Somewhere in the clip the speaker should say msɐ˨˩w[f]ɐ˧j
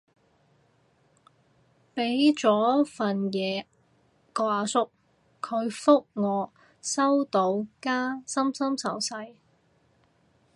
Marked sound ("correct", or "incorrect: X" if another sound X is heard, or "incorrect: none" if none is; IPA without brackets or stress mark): incorrect: s